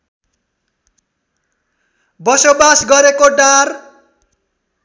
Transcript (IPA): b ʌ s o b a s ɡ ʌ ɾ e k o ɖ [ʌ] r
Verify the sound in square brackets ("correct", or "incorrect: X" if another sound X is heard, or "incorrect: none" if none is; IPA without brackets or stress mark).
incorrect: a